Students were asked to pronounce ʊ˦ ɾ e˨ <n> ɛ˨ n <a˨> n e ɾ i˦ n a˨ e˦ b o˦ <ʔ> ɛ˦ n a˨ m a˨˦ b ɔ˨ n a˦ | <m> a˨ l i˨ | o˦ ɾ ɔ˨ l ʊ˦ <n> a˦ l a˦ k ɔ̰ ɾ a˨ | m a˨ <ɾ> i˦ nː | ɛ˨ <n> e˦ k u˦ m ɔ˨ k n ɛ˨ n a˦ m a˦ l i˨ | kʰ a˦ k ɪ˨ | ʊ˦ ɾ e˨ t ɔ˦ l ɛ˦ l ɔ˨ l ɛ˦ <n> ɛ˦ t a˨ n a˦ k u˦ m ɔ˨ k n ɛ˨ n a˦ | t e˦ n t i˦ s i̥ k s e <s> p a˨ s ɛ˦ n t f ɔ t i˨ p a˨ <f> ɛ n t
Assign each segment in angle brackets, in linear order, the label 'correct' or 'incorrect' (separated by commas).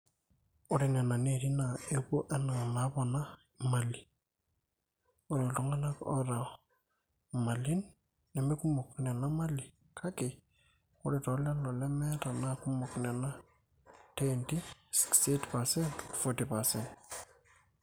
correct, correct, correct, correct, incorrect, incorrect, incorrect, incorrect, incorrect, incorrect